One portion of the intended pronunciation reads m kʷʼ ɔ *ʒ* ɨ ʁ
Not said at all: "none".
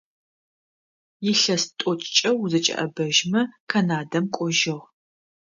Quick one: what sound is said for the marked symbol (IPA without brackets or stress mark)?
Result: ʒ